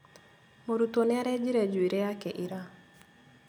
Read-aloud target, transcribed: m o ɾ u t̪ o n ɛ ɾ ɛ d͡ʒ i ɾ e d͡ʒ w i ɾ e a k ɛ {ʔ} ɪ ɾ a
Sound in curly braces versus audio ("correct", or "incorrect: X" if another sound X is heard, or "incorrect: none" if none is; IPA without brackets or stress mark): correct